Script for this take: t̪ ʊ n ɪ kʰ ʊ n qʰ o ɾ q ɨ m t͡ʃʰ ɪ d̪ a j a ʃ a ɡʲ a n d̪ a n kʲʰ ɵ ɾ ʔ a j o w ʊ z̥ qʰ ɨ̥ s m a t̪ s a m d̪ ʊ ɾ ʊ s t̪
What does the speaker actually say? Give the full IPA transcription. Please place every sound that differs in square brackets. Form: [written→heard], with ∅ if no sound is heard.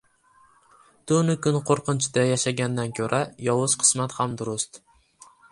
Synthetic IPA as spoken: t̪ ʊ n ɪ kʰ ʊ n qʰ o ɾ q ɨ [m→n] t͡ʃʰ ɪ d̪ a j a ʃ a ɡʲ a n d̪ a n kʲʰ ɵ ɾ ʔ a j [o→ɒ] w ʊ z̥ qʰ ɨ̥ s m a t̪ [s→h] a m d̪ ʊ ɾ ʊ s t̪